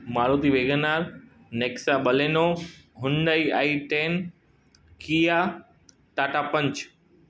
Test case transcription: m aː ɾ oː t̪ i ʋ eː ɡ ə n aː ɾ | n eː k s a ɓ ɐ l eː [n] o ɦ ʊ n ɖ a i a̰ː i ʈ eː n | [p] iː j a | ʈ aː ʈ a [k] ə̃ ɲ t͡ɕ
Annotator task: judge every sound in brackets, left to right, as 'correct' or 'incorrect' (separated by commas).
correct, incorrect, incorrect